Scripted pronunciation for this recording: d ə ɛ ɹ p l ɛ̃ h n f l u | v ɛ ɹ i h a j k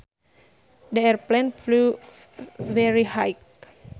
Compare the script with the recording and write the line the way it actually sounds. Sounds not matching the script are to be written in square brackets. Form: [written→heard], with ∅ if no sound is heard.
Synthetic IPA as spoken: d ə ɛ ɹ p l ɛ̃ [h→∅] n f l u | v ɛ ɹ i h a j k

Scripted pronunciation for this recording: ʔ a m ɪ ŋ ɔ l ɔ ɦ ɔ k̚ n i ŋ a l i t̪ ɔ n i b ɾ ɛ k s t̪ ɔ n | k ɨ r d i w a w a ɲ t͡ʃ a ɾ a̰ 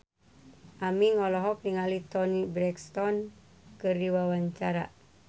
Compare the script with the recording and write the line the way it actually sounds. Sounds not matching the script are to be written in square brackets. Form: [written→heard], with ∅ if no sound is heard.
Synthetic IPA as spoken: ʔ a m [ɪ→i] ŋ ɔ l ɔ ɦ ɔ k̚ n i ŋ a l i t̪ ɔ n i b ɾ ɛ k s t̪ ɔ n | k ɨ r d i w a w a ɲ t͡ʃ a ɾ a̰

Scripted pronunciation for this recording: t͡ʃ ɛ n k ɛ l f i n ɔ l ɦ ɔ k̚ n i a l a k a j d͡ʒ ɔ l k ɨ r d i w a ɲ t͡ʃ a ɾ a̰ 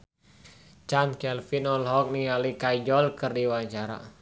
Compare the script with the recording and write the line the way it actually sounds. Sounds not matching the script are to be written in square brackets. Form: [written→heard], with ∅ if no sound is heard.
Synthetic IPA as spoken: t͡ʃ [ɛ→a] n k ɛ l f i n ɔ l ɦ ɔ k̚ n i a l [a→i] k a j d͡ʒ ɔ l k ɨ r d i w a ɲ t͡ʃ a ɾ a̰

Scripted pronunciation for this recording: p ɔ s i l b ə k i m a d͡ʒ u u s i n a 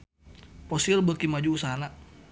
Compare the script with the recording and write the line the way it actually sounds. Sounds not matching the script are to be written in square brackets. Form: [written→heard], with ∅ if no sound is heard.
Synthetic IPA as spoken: p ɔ s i l b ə k i m a d͡ʒ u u s [i→a] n a

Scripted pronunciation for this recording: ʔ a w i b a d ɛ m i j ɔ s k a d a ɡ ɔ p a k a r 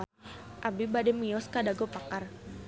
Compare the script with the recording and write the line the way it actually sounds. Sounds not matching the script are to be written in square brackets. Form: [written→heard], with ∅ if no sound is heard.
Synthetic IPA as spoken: ʔ a [w→b] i b a d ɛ m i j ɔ s k a d a ɡ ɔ p a k a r

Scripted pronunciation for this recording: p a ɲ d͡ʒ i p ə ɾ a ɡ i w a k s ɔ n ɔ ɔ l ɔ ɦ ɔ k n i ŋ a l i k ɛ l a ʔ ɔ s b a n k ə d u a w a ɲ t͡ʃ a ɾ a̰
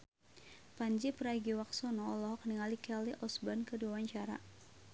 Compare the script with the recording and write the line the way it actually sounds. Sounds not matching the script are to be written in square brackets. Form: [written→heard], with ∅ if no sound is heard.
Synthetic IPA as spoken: p a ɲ d͡ʒ i p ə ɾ a ɡ i w a k s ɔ n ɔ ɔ l ɔ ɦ ɔ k n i ŋ a l i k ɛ l [a→i] ʔ ɔ s b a n k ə d u a w a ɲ t͡ʃ a ɾ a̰

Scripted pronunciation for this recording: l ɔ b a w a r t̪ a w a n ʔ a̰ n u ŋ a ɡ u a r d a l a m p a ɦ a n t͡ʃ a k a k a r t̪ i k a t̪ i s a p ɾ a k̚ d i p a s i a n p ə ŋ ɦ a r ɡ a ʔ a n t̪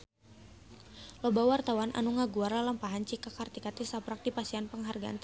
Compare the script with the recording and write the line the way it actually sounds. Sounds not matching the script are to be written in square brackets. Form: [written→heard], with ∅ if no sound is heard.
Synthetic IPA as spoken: l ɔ b a w a r t̪ a w a n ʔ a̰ n u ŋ a ɡ u a r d a l a m p a ɦ a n t͡ʃ [a→i] k a k a r t̪ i k a t̪ i s a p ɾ a k̚ d i p a s i a n p ə ŋ ɦ a r ɡ a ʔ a n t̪

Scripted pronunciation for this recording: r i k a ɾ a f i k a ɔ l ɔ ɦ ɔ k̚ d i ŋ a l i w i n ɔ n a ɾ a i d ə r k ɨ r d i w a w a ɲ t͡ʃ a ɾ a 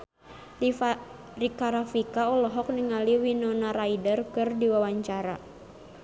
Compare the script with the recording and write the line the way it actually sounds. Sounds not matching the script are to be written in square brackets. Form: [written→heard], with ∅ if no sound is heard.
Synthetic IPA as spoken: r i k a ɾ a f i k a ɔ l ɔ ɦ ɔ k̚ [d→n] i ŋ a l i w i n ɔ n a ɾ a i d ə r k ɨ r d i w a w a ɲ t͡ʃ a ɾ a

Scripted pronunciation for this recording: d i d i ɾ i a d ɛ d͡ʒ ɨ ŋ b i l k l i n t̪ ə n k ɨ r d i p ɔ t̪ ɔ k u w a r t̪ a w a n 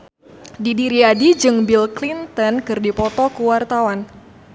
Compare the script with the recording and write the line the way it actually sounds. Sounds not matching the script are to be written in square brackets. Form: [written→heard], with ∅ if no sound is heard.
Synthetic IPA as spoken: d i d i ɾ i a d [ɛ→i] d͡ʒ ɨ ŋ b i l k l i n t̪ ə n k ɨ r d i p ɔ t̪ ɔ k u w a r t̪ a w a n

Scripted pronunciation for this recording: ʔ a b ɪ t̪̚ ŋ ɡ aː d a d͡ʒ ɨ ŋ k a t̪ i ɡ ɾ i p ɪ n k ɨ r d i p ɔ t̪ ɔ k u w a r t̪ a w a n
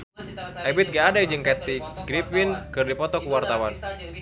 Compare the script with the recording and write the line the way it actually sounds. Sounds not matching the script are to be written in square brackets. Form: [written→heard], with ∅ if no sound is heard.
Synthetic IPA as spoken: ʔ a b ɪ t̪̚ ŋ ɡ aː d a d͡ʒ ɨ ŋ k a t̪ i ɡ ɾ i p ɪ n k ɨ r d i p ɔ t̪ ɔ k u w a r t̪ a w a n

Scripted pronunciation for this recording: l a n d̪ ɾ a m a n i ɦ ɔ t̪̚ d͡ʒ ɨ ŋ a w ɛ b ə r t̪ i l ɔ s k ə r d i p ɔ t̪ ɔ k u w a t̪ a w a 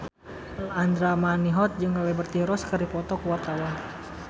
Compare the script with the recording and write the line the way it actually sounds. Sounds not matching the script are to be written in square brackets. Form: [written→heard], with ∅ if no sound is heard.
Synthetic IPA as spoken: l a n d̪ ɾ a m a n i ɦ ɔ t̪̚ d͡ʒ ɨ ŋ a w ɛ b ə r t̪ i [l→ɾ] ɔ s k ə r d i p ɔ t̪ ɔ k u w a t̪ a w a

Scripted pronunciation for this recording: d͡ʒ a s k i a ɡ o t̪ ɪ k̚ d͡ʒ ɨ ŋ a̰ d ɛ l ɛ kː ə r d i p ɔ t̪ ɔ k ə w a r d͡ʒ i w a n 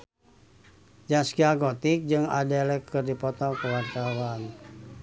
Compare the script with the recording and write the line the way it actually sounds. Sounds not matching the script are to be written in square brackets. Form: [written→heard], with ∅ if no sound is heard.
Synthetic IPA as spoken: d͡ʒ a s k i a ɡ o t̪ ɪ k̚ d͡ʒ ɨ ŋ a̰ d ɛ l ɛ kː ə r d i p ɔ t̪ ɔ k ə w a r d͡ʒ [i→a] w a n

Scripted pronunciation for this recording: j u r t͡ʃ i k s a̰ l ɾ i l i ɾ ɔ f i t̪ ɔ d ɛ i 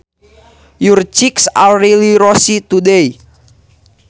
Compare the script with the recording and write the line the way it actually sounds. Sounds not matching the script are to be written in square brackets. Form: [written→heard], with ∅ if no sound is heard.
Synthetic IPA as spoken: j u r t͡ʃ i k s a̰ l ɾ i l i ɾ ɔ [f→s] i t̪ [ɔ→u] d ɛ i

